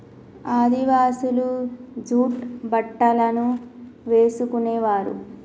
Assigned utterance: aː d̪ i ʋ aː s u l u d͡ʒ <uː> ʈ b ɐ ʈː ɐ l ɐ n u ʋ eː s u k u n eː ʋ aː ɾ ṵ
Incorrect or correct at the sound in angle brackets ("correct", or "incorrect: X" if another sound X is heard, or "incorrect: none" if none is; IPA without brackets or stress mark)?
correct